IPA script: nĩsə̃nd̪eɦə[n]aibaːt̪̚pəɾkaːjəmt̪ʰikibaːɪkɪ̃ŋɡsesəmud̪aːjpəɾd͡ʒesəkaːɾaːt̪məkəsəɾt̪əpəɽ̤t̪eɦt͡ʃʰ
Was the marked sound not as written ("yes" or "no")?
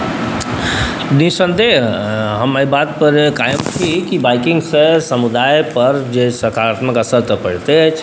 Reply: yes